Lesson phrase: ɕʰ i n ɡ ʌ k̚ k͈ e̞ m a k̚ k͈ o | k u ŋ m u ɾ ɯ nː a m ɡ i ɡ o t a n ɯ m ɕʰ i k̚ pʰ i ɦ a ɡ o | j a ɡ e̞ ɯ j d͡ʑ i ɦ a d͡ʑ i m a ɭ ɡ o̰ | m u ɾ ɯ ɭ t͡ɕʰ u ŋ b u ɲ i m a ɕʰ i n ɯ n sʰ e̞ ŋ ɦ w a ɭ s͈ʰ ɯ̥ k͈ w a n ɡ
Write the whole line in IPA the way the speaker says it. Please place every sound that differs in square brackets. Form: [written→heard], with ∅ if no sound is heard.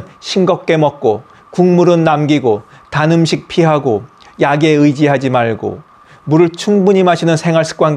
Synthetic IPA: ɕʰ i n ɡ ʌ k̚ k͈ e̞ m [a→ʌ] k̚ k͈ o | k u ŋ m u ɾ ɯ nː a m ɡ i ɡ o t a n ɯ m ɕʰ i k̚ pʰ i ɦ a ɡ o | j a ɡ e̞ ɯ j d͡ʑ i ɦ a d͡ʑ i m a ɭ ɡ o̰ | m u ɾ ɯ ɭ t͡ɕʰ u ŋ b u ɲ i m a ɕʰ i n ɯ n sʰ e̞ ŋ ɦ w a ɭ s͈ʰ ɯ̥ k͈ w a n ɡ

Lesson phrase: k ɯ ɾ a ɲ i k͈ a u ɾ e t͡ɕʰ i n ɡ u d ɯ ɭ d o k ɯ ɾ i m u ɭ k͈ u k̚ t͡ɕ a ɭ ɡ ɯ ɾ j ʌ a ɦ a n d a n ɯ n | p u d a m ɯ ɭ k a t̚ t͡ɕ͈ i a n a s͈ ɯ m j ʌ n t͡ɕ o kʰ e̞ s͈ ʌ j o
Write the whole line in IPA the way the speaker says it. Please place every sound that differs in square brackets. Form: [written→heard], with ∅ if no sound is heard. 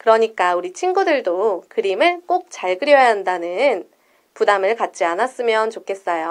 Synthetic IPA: k ɯ ɾ [a→ʌ] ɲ i k͈ a u ɾ [e→i] t͡ɕʰ i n ɡ u d ɯ ɭ d o k ɯ ɾ i m [u→ɯ] ɭ k͈ [u→o] k̚ t͡ɕ a ɭ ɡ ɯ ɾ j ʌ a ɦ a n d a n ɯ n | p u d a m ɯ ɭ k a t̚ t͡ɕ͈ i a n a s͈ ɯ m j ʌ n t͡ɕ o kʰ e̞ s͈ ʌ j o

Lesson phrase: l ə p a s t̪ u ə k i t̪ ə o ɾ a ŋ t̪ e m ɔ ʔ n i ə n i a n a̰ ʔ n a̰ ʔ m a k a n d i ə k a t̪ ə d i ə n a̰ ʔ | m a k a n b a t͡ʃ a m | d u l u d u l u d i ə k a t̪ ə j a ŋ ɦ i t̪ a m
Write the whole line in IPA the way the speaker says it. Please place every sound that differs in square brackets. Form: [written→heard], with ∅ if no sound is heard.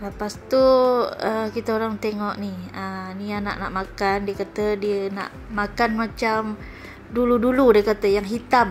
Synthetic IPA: l ə p a s t̪ u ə k i t̪ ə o ɾ a ŋ t̪ e [m→ŋ] ɔ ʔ n i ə n i a n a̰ ʔ n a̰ ʔ m a k a n d i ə k a t̪ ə d i ə n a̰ ʔ | m a k a n [b→m] a t͡ʃ a m | d u l u d u l u d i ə k a t̪ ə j a ŋ ɦ i t̪ a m

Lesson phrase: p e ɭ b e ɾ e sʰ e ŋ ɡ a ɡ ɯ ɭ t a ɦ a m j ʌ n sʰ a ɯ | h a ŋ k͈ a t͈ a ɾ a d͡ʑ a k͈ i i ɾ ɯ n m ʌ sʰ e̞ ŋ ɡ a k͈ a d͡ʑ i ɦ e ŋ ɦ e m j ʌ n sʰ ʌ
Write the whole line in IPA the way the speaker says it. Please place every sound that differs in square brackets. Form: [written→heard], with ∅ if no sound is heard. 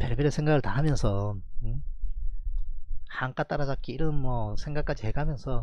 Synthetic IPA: p e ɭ b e ɾ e sʰ e ŋ ɡ a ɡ ɯ ɭ t a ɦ a m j ʌ n sʰ [a→ʌ] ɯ | h a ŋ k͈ a t͈ a ɾ a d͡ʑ a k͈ i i ɾ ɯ n m ʌ sʰ e̞ ŋ ɡ a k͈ a d͡ʑ i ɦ e [ŋ→ɡ] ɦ [e→a] m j ʌ n sʰ ʌ

